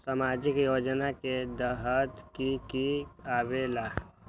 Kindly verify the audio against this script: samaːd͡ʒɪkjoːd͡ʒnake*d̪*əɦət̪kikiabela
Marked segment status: correct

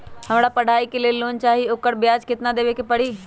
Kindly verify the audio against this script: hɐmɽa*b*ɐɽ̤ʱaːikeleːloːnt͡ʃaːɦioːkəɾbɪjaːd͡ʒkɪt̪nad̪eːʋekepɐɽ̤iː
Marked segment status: incorrect: p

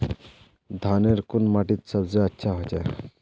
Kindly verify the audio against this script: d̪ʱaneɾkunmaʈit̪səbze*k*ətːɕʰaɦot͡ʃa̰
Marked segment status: incorrect: none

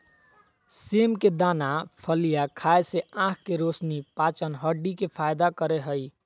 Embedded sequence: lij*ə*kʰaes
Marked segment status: incorrect: a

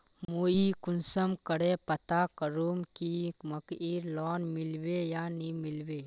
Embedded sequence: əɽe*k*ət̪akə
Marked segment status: incorrect: p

